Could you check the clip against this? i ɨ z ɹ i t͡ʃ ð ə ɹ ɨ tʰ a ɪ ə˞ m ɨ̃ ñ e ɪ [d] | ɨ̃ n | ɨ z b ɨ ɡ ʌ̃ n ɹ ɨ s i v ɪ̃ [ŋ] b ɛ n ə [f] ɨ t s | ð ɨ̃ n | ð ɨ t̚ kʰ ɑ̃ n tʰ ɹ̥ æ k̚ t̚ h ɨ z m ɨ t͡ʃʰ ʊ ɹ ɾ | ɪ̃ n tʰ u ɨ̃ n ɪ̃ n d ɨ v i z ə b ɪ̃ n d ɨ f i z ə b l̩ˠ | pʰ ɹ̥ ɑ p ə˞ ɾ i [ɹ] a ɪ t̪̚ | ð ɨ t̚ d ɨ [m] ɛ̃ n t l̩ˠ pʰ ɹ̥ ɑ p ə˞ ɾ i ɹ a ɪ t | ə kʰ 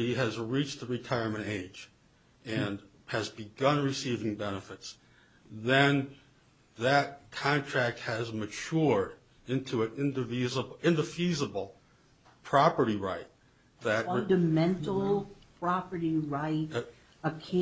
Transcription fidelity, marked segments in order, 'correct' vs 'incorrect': incorrect: d͡ʒ, correct, correct, correct, correct

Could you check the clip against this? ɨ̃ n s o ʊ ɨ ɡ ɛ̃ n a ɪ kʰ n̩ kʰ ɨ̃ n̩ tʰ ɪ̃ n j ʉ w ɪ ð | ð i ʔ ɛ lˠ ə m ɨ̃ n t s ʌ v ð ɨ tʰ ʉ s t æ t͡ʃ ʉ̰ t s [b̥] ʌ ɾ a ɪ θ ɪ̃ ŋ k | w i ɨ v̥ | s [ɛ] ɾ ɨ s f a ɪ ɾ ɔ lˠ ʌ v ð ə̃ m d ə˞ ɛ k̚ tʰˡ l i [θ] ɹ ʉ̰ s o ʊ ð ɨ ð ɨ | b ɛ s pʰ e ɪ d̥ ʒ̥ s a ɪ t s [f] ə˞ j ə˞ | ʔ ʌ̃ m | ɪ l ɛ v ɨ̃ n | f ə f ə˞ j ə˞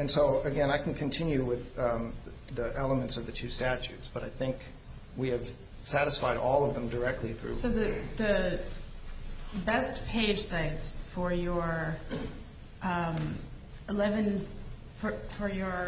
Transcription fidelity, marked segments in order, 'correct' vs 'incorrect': correct, incorrect: æ, correct, correct

